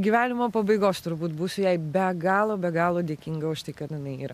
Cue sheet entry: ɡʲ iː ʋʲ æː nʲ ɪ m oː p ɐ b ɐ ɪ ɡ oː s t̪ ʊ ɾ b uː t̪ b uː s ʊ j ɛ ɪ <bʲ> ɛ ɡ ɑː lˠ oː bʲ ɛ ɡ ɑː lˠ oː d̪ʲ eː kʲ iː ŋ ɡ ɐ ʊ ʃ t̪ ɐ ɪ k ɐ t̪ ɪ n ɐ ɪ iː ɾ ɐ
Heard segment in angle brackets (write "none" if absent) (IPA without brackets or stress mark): bʲ